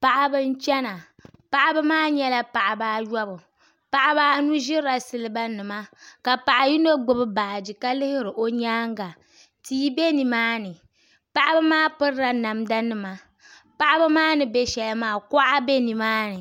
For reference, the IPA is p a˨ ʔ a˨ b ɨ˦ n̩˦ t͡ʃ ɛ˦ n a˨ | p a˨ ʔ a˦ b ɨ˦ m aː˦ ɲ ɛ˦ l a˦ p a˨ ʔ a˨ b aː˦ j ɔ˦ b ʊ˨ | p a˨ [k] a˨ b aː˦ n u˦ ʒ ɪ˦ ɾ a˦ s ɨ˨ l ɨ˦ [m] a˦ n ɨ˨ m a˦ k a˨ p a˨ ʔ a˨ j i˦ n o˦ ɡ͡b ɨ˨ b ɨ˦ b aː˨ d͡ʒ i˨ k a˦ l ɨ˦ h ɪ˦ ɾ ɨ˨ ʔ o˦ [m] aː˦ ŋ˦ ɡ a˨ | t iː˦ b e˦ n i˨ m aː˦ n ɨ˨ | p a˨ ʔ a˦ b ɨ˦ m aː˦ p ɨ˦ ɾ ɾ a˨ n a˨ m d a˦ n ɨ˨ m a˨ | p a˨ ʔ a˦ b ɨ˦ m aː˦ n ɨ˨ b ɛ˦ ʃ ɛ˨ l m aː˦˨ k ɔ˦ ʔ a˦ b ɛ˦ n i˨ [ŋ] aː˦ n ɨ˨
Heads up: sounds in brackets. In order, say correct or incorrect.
incorrect: ʔ, incorrect: b, incorrect: ɲ, incorrect: m

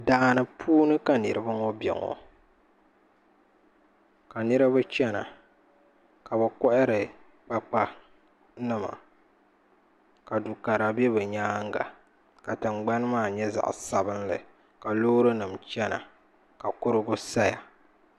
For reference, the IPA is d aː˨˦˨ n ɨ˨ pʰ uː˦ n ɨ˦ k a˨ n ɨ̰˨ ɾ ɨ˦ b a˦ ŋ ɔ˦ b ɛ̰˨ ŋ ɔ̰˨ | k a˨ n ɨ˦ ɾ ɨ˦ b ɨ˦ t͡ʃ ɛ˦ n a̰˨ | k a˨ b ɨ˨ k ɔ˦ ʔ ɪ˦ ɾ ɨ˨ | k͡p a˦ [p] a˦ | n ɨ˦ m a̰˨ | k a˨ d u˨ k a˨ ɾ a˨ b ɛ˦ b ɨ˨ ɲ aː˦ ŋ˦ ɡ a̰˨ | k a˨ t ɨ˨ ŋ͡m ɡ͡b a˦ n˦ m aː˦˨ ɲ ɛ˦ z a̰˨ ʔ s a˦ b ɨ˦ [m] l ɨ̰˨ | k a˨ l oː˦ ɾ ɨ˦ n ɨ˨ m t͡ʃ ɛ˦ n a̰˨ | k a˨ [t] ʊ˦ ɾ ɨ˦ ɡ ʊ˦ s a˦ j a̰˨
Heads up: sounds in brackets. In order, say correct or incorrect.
incorrect: k͡p, incorrect: n, incorrect: k

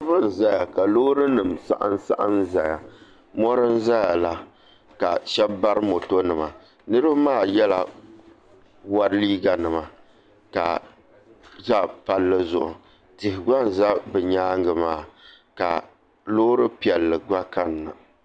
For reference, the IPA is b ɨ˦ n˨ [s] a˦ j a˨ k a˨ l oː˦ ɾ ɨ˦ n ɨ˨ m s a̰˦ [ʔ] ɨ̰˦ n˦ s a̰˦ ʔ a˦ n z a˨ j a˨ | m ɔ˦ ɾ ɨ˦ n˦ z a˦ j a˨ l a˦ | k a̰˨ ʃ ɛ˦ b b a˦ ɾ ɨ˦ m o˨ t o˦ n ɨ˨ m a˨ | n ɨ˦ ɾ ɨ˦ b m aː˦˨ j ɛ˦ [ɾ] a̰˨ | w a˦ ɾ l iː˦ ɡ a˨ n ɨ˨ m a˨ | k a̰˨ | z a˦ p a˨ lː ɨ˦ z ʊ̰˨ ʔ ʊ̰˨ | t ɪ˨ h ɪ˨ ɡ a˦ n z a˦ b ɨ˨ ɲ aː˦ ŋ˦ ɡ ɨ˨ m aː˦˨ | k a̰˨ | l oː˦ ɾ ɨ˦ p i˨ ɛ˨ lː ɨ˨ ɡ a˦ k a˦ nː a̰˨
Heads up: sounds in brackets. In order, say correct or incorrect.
incorrect: z, correct, incorrect: l

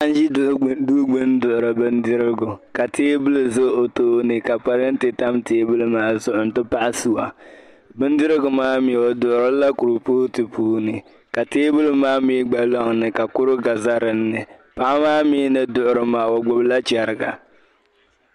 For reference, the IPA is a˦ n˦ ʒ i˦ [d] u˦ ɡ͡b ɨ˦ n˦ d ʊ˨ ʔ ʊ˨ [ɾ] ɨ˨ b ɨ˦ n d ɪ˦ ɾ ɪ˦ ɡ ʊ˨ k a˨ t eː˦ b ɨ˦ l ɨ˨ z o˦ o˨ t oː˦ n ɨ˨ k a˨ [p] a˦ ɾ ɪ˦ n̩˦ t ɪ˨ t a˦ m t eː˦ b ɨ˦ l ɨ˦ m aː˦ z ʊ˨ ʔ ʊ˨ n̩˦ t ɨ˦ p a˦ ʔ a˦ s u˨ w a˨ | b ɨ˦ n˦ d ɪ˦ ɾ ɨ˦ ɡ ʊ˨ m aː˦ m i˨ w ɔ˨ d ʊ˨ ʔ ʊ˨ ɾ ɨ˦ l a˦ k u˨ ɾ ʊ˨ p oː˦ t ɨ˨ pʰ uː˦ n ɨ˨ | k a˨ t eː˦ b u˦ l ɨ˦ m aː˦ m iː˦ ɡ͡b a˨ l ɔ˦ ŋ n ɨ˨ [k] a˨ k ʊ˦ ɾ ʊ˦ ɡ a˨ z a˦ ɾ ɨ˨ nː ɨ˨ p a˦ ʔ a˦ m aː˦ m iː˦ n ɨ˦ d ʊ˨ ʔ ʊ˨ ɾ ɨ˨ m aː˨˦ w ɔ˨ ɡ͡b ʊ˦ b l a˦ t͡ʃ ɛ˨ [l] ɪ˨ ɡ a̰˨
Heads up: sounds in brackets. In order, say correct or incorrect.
correct, correct, correct, correct, incorrect: ɾ

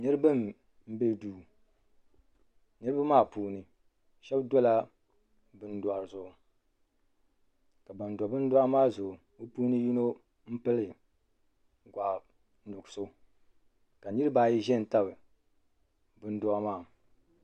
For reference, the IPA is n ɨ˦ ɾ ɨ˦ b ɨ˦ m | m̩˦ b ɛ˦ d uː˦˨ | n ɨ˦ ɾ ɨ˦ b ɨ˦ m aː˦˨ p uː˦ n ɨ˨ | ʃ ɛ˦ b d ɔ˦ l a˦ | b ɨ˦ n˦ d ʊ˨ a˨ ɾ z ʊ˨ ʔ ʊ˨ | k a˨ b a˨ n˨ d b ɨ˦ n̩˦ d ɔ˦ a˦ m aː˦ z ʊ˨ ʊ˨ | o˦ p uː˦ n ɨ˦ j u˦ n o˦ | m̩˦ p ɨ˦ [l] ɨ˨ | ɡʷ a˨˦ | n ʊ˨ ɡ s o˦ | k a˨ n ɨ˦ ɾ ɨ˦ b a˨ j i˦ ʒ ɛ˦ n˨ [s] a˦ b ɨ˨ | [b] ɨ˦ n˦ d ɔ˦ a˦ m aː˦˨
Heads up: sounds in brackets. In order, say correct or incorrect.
correct, incorrect: t, correct

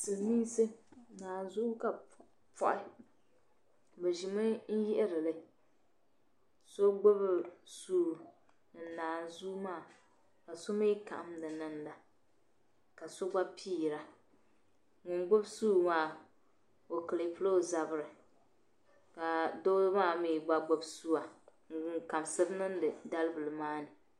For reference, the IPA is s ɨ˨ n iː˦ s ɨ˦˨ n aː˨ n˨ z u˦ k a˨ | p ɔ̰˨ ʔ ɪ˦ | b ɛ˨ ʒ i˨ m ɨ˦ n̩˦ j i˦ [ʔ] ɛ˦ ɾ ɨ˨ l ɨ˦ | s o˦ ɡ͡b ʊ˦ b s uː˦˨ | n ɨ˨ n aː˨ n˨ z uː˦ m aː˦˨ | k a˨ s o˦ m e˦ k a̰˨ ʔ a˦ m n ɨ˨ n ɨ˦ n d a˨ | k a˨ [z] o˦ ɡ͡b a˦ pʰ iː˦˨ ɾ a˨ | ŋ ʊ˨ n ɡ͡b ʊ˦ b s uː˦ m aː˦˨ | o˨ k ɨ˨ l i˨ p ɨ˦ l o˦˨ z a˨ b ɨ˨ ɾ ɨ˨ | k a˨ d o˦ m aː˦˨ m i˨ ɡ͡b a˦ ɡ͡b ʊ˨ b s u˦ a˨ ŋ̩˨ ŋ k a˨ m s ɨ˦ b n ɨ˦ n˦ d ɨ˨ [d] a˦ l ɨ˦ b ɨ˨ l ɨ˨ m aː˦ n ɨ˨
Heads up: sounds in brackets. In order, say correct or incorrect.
correct, incorrect: s, correct

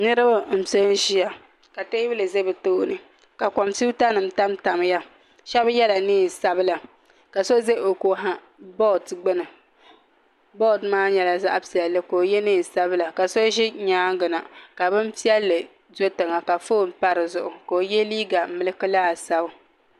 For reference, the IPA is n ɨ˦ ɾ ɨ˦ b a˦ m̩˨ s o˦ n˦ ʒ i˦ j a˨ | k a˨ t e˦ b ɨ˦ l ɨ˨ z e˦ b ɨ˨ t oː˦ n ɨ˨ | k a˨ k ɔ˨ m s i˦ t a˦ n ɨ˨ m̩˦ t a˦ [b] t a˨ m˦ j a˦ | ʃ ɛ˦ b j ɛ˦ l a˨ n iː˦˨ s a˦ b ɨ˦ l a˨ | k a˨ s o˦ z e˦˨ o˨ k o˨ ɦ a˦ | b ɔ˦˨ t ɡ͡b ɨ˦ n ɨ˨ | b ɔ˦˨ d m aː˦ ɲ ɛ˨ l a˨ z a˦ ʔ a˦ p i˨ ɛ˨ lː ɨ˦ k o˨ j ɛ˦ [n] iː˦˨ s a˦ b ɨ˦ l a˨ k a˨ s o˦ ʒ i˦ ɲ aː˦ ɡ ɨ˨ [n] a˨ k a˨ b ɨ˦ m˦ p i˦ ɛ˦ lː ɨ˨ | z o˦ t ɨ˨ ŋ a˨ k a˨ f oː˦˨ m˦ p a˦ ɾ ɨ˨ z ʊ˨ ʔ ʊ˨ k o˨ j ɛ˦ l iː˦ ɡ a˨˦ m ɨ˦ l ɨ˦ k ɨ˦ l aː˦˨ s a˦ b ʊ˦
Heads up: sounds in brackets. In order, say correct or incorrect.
incorrect: m, correct, correct

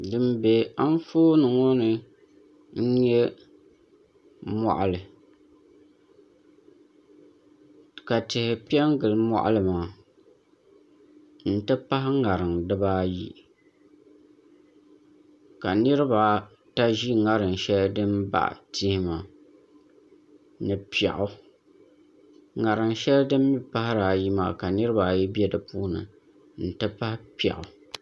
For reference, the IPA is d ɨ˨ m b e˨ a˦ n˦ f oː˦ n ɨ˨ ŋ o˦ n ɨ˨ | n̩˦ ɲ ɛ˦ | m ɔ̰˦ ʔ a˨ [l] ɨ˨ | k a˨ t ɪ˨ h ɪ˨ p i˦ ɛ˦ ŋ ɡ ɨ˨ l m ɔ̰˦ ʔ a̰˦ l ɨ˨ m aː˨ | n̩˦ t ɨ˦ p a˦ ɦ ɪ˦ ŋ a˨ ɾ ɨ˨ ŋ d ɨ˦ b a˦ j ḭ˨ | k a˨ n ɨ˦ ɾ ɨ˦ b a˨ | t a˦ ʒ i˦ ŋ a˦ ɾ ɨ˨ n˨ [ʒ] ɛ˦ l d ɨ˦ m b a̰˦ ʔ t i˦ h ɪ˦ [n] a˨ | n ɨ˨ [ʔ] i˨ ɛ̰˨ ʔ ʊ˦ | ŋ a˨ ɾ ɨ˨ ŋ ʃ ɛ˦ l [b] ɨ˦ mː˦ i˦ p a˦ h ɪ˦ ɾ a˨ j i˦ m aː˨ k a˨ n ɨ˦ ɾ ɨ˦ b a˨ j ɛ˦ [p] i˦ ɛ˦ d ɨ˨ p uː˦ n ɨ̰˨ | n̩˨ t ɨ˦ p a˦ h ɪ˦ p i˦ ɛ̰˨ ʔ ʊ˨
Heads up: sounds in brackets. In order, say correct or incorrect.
correct, incorrect: ʃ, incorrect: m, incorrect: p, incorrect: d, incorrect: b

